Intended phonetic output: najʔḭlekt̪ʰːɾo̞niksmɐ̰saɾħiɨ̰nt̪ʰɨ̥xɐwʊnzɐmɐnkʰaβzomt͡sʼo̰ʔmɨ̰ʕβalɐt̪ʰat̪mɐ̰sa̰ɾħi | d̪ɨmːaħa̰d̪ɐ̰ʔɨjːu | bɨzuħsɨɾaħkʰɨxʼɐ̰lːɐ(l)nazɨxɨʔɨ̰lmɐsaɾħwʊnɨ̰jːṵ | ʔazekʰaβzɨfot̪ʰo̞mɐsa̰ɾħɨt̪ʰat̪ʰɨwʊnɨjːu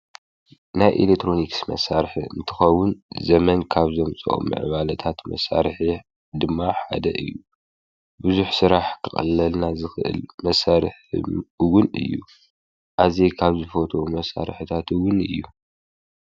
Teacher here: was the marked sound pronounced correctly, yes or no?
yes